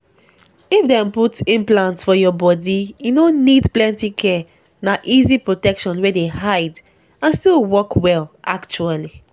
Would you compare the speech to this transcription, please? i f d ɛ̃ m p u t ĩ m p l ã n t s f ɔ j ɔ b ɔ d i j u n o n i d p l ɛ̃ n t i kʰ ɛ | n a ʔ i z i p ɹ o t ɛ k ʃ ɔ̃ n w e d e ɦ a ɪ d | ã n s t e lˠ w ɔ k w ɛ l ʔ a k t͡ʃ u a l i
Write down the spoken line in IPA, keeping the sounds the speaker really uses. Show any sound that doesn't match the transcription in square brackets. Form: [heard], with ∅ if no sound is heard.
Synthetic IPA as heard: i f d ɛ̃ m p u t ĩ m p l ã n t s f ɔ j ɔ b ɔ d i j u n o n i d p l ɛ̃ n t i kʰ ɛ | n a ʔ i z i p ɹ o t ɛ k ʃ ɔ̃ n w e d e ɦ a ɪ d | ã n s t [i] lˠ w ɔ k w ɛ l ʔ a k t͡ʃ u a l i